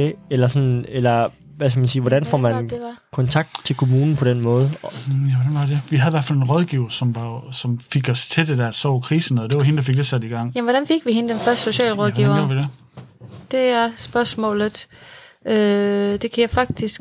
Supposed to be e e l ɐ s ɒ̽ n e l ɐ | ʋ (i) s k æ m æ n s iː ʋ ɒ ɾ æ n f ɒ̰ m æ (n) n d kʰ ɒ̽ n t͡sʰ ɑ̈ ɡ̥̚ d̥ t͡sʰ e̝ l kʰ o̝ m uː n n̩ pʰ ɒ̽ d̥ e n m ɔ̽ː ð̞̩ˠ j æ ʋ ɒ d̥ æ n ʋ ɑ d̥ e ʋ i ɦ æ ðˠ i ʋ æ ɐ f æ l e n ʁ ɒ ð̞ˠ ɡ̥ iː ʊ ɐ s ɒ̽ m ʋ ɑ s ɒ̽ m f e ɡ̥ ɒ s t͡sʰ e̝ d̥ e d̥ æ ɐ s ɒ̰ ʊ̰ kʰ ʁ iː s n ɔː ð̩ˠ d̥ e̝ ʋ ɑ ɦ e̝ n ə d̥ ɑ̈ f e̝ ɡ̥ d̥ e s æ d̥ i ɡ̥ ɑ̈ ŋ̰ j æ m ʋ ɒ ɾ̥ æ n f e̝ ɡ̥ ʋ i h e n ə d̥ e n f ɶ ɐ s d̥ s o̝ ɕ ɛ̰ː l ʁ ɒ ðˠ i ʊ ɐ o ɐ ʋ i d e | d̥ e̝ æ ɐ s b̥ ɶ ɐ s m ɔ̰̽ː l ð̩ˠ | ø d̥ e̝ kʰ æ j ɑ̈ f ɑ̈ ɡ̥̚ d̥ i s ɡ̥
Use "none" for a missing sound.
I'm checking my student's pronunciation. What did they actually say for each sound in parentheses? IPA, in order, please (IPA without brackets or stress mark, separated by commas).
æ, n